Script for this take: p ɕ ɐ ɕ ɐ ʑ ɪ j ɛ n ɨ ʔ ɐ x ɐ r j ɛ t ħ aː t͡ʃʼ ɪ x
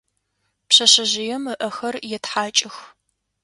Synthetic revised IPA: p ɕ ɐ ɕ ɐ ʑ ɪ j ɛ m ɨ ʔ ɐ x ɐ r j ɛ t ħ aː t͡ʃʼ ɪ x